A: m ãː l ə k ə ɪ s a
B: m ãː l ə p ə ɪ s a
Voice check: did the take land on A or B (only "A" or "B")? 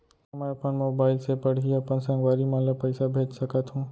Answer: B